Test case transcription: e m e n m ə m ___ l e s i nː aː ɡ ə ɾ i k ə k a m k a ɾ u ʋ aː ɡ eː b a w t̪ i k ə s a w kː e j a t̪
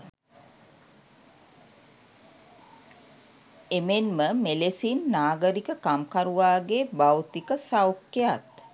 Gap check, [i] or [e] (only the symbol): e